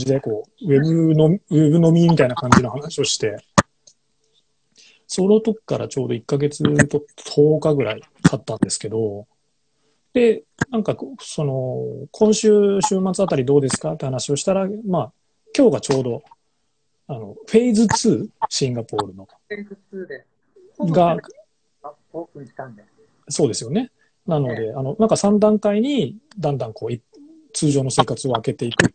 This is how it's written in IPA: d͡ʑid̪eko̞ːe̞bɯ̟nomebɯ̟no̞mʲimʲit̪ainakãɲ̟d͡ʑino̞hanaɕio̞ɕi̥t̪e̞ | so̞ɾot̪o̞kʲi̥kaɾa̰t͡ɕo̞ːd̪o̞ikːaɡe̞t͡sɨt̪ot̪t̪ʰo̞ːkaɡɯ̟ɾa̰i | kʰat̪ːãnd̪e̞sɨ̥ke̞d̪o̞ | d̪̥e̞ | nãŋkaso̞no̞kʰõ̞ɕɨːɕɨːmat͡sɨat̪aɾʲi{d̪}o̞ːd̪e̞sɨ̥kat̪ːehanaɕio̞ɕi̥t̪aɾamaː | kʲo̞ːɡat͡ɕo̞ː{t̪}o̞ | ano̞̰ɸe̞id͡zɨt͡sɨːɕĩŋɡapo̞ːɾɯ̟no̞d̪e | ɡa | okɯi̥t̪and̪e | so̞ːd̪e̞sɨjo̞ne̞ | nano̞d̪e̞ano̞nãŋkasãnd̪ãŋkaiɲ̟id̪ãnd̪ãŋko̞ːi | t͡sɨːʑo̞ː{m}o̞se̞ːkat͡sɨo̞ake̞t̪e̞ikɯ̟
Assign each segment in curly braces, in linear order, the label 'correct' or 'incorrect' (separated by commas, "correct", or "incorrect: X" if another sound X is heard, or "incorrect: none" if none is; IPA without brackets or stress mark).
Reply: correct, incorrect: d̪, incorrect: n